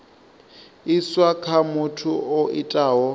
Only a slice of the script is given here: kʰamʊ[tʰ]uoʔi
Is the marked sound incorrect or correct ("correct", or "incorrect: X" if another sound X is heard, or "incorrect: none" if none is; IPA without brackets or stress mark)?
correct